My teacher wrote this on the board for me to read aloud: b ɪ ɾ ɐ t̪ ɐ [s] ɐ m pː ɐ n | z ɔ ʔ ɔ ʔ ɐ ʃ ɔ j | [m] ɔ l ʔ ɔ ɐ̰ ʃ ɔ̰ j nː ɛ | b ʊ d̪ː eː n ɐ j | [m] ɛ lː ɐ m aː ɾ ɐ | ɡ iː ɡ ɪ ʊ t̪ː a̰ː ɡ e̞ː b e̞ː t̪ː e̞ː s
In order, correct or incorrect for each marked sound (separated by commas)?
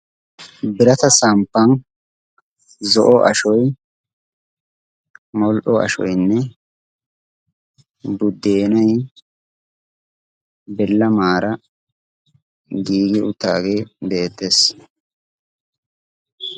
correct, correct, incorrect